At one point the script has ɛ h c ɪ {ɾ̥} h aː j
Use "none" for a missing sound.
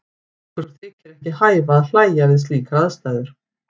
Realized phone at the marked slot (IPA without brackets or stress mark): none